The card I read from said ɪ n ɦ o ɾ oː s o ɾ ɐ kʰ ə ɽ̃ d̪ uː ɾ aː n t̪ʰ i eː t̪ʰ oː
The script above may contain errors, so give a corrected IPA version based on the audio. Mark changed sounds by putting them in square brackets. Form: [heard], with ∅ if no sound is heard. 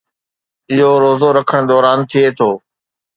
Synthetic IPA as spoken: ɪ [∅] ɦ o ɾ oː [z] o ɾ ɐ kʰ ə ɽ̃ d̪ [ɔː] ɾ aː n t̪ʰ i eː t̪ʰ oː

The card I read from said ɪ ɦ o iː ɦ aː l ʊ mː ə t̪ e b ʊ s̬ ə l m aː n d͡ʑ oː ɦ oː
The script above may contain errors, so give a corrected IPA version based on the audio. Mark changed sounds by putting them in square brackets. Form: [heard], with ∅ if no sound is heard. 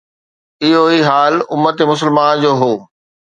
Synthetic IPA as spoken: ɪ ɦ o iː ɦ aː l ʊ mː ə t̪ e [m] ʊ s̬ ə l m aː n d͡ʑ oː ɦ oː

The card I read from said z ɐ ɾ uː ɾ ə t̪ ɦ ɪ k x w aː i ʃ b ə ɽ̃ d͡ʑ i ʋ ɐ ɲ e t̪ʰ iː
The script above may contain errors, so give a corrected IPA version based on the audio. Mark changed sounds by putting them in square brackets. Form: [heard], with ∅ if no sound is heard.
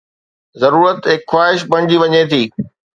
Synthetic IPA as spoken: z ɐ ɾ uː ɾ ə t̪ ɦ ɪ k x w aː [ɪ] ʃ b [ɐ] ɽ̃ d͡ʑ i ʋ ɐ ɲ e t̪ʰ iː

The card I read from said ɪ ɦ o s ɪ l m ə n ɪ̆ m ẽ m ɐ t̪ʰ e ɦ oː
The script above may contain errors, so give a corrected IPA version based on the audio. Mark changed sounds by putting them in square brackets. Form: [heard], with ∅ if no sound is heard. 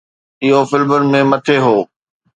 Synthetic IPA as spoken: ɪ ɦ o [f] ɪ l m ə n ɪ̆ m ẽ m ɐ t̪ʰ e ɦ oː

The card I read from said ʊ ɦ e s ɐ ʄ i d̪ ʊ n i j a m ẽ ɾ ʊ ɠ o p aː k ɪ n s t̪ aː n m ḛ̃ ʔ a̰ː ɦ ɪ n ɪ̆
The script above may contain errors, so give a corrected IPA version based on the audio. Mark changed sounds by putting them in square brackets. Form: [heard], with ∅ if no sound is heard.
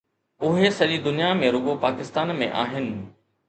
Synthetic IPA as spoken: ʊ ɦ e s ɐ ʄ i d̪ ʊ n i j a m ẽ ɾ ʊ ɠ o p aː k ɪ [∅] s t̪ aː n m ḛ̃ ʔ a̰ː ɦ ɪ n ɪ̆

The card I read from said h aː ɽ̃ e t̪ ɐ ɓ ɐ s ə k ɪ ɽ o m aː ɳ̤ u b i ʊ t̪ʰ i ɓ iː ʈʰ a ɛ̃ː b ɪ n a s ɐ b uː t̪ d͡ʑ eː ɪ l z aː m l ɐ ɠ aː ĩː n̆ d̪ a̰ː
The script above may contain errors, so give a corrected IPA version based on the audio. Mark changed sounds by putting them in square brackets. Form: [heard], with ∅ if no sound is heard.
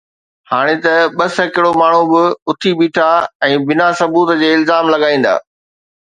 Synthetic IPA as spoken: h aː ɽ̃ e t̪ ɐ ɓ ɐ s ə k ɪ ɽ o m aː ɳ̤ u b [ɪ] ʊ t̪ʰ i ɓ iː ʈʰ a ɛ̃ː b ɪ n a s ɐ b uː t̪ d͡ʑ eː ɪ l z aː m l ɐ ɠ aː ĩː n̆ d̪ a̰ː

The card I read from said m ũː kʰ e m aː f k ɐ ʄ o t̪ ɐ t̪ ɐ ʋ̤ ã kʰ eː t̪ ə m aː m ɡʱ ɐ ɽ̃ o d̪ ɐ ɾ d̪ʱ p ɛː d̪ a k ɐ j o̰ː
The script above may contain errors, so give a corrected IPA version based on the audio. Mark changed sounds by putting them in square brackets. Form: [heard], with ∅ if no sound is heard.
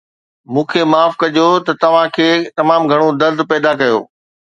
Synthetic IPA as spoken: m ũː kʰ e m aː f k ɐ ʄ o t̪ ɐ t̪ ɐ ʋ̤ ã kʰ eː t̪ [ɐ] m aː m ɡʱ ɐ ɽ̃ o d̪ ɐ ɾ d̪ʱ p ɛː d̪ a k ɐ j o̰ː

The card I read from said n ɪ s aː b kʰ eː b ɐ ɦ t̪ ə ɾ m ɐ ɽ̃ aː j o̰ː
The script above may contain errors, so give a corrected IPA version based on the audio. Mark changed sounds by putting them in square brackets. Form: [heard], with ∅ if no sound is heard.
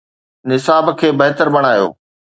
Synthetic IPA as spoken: n ɪ s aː b kʰ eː b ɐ ɦ t̪ ə ɾ [b] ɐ ɽ̃ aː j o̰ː

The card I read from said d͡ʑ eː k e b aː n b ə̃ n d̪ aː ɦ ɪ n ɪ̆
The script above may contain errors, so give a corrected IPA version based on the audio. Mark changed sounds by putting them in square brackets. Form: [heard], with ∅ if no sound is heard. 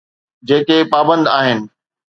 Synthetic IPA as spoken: d͡ʑ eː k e [p] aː [∅] b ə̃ n d̪ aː ɦ ɪ n ɪ̆

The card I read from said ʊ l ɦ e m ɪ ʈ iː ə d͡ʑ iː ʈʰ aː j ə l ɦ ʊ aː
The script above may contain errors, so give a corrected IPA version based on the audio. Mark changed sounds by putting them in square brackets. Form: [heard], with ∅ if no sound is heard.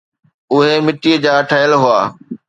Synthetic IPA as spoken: ʊ [∅] ɦ e m ɪ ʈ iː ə d͡ʑ [aː] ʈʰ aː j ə l ɦ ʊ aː

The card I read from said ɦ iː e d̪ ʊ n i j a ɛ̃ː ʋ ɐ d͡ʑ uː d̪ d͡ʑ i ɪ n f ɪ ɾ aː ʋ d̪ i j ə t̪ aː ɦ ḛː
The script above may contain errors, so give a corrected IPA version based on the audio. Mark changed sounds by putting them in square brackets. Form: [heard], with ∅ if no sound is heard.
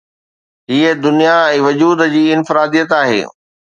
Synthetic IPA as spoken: ɦ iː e d̪ ʊ n i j a ɛ̃ː ʋ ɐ d͡ʑ uː d̪ d͡ʑ [iː] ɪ n f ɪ ɾ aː [∅] d̪ i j ə t̪ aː ɦ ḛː

